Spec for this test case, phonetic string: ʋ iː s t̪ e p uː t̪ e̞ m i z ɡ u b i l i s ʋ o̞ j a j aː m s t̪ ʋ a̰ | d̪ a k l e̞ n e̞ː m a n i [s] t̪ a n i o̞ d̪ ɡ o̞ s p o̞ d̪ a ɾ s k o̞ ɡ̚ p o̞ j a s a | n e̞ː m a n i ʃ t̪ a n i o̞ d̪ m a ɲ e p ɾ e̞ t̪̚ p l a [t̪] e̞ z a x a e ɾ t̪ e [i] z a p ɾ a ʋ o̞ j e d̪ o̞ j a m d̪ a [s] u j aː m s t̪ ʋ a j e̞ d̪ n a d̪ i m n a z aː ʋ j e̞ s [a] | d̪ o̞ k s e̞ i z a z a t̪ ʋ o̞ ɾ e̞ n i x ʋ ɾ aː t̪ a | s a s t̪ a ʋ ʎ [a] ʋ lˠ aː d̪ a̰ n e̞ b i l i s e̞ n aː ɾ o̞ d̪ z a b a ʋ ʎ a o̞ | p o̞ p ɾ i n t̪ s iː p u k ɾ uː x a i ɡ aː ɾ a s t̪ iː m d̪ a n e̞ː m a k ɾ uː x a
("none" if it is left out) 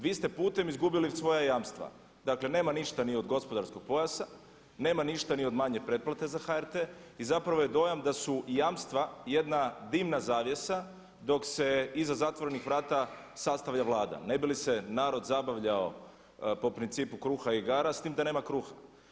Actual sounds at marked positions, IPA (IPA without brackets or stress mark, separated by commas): ʃ, t̪, i, s, a, a